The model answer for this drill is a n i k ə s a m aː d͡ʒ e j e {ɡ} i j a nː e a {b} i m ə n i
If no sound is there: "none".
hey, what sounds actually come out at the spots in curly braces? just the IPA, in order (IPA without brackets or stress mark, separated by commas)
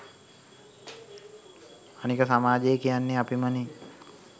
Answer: k, p